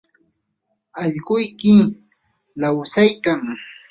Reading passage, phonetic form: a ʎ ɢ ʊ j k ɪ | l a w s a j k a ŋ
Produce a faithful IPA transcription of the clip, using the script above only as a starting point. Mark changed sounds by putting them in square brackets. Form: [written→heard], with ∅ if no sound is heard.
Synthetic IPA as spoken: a ʎ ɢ ʊ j k ɪ | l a w s a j k a ŋ